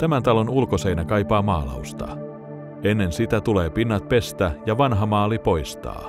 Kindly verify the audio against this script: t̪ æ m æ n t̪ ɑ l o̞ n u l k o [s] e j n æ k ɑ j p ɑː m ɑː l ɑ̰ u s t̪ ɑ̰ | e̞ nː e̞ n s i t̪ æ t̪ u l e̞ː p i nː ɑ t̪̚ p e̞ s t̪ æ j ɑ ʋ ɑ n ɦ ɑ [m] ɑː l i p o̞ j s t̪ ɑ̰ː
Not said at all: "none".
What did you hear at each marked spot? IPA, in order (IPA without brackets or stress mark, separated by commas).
s, m